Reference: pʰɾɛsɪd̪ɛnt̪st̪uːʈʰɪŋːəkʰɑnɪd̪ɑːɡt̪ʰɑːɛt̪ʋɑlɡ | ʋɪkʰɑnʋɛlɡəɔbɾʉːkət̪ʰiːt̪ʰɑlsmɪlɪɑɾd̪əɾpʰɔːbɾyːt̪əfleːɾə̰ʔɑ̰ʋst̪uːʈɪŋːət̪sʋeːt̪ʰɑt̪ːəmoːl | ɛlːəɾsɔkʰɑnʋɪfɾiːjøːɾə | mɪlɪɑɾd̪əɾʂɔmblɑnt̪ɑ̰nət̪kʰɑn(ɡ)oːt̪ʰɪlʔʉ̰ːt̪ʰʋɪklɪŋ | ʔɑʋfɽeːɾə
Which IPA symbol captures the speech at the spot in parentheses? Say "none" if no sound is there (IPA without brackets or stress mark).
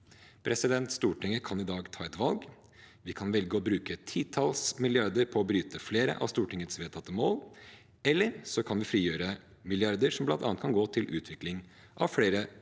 ɡ